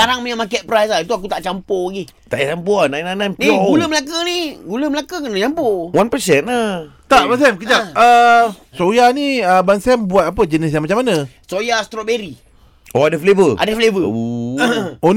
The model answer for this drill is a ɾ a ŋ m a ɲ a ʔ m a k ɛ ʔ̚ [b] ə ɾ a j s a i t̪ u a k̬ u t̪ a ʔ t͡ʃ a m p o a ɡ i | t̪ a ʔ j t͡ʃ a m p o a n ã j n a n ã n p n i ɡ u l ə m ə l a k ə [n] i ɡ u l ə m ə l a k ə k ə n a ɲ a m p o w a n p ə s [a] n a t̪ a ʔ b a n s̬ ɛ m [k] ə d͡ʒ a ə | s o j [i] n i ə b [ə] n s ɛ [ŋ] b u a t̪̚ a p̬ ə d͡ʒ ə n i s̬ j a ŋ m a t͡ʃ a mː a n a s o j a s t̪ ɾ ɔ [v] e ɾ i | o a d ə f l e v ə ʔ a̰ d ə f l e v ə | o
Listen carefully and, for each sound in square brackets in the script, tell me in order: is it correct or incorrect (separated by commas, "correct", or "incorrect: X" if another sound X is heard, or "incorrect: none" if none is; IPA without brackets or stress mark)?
incorrect: p, correct, incorrect: ɛ, correct, incorrect: a, incorrect: a, incorrect: m, incorrect: b